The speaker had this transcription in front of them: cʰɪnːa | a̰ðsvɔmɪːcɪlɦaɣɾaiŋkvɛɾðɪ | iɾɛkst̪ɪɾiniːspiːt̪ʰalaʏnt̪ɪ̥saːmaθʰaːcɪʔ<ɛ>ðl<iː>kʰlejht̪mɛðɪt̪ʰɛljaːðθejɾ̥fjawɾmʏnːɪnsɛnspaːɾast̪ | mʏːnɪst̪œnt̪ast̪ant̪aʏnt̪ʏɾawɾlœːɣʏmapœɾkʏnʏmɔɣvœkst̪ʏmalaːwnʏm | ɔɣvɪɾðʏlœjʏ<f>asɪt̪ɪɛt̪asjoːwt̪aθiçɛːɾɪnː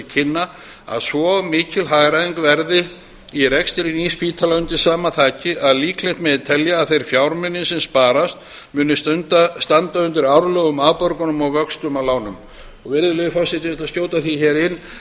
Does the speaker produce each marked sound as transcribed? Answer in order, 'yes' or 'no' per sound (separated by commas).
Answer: no, yes, yes